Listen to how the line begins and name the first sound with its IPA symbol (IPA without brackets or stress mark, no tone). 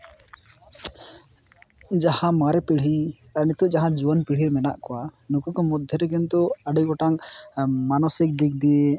d͡ʒ